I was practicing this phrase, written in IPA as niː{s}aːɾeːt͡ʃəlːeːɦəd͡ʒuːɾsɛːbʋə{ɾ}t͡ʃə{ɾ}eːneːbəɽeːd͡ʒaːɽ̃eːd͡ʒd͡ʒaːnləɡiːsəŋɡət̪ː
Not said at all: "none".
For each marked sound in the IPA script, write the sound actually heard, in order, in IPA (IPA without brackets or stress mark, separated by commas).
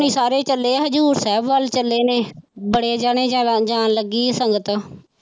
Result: s, l, l